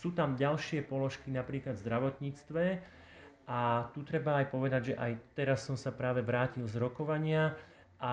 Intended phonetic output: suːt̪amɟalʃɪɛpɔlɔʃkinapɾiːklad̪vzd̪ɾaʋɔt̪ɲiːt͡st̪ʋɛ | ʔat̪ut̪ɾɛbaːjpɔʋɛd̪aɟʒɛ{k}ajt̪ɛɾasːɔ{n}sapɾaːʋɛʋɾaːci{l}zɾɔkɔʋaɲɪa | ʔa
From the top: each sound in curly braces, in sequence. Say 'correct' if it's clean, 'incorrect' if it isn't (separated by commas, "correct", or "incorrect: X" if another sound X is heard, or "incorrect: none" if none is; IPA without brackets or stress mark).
incorrect: ʔ, incorrect: m, correct